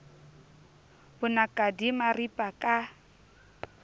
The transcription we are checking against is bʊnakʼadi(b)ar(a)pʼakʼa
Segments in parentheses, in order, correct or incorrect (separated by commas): incorrect, incorrect